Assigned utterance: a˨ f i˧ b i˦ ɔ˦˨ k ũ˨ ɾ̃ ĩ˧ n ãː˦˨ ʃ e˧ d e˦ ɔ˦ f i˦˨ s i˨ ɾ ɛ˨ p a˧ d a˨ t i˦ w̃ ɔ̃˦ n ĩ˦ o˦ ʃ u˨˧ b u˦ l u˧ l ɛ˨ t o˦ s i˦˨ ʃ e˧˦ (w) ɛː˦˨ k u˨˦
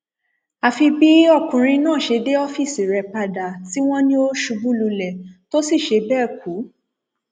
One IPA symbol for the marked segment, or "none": b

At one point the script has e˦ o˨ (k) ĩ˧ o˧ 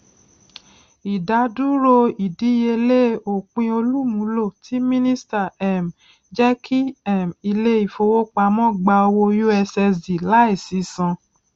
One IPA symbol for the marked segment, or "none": k͡p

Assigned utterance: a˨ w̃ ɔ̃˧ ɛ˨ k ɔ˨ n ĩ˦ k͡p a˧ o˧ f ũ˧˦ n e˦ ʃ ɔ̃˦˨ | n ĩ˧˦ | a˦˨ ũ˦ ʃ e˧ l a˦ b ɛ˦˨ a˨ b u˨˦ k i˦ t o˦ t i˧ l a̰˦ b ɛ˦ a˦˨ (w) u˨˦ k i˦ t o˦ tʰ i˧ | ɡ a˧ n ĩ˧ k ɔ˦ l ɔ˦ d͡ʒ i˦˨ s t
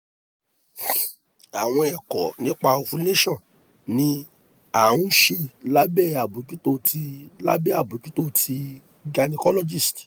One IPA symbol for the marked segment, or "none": b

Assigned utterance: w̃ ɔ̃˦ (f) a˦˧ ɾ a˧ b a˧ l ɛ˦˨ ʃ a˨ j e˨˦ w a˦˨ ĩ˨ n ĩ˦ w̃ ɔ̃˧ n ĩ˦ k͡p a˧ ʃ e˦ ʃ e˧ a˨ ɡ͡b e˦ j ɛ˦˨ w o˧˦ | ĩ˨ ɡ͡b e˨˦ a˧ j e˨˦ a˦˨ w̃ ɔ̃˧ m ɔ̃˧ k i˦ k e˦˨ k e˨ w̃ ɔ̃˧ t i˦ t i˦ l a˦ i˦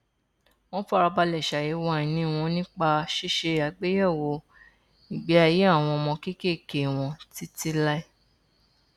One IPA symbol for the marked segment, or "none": f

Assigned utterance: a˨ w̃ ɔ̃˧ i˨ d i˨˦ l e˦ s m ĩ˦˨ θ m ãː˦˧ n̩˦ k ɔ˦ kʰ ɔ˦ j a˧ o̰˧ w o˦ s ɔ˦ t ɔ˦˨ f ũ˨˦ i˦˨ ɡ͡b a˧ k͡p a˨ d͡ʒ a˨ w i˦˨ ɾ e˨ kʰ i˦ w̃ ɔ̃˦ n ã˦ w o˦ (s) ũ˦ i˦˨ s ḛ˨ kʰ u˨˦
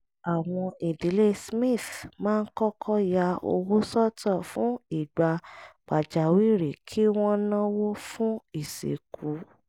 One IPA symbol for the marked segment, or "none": f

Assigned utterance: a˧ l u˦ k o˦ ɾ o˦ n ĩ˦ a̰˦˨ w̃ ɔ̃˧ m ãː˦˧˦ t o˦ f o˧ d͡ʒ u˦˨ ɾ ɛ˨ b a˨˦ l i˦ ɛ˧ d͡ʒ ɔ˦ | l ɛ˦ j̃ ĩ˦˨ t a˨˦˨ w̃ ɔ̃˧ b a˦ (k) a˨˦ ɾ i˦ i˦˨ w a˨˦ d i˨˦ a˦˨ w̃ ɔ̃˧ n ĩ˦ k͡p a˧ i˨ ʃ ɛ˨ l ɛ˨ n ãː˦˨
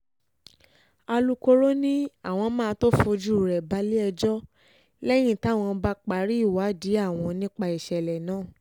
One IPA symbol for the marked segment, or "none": k͡p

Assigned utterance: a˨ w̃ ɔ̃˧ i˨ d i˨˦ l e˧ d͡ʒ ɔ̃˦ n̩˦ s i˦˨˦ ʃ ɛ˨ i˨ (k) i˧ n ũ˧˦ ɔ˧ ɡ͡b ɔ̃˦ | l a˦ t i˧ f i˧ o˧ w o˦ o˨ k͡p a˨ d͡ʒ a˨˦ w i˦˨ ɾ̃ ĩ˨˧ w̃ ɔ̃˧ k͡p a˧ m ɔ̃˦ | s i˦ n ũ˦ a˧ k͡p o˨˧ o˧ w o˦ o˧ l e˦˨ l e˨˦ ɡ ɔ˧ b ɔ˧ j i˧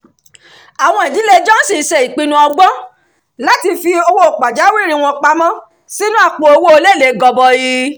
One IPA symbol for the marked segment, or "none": k͡p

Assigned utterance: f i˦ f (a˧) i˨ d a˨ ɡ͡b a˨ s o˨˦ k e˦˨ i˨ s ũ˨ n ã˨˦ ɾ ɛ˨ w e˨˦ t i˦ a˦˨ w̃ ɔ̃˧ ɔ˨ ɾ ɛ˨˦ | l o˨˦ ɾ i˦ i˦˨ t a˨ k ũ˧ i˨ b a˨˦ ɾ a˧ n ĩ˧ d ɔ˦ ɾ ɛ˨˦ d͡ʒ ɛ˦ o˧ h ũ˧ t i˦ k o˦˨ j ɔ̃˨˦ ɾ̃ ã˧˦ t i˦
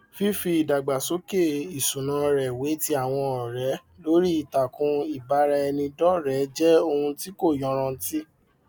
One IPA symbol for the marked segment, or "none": i˧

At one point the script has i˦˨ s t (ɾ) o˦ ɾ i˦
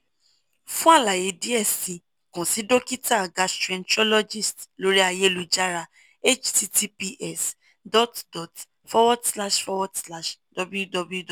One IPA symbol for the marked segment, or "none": l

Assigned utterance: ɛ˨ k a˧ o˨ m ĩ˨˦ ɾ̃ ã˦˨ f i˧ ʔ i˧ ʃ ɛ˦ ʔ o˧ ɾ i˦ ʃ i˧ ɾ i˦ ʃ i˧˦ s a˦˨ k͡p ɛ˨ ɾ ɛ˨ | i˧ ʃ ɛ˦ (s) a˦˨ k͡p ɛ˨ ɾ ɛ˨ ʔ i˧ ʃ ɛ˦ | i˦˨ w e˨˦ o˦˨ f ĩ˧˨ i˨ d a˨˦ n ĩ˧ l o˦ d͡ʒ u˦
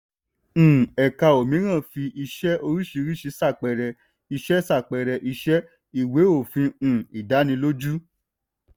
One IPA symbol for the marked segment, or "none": s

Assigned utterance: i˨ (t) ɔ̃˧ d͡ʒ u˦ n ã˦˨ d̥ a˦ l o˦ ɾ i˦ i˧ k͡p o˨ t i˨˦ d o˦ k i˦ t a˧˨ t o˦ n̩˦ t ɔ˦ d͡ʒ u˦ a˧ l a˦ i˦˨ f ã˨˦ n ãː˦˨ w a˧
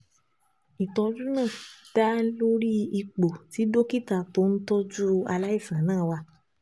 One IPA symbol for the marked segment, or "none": t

